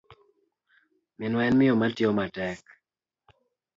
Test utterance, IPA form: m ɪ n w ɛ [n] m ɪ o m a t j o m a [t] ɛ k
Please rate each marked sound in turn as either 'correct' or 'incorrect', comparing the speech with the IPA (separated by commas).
correct, correct